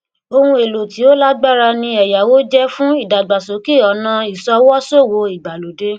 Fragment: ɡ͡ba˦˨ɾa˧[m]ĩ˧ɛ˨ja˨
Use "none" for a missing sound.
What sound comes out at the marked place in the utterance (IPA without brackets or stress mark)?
n